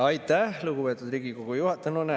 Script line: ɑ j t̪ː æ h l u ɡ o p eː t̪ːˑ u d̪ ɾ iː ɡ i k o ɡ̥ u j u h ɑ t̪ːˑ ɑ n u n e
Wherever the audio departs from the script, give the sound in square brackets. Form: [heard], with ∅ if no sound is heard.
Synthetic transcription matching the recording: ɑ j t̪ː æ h l u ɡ [u] p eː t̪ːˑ u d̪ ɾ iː ɡ i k o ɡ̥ u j u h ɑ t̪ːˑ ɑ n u n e